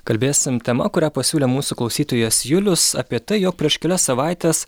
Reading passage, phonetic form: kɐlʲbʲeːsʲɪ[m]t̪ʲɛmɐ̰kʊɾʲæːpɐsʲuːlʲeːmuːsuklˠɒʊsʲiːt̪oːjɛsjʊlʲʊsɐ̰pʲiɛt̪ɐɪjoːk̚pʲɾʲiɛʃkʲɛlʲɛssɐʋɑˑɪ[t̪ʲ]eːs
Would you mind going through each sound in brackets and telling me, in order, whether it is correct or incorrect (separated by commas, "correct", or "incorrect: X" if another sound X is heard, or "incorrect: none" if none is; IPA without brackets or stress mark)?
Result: correct, correct